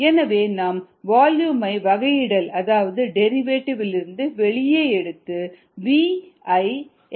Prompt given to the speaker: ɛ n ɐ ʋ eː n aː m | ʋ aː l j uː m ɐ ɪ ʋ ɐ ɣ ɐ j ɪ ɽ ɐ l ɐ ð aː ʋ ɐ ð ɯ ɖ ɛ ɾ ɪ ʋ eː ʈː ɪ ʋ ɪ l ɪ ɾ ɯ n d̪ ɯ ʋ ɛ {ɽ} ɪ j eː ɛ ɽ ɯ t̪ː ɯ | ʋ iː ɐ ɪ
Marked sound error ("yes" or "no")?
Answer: yes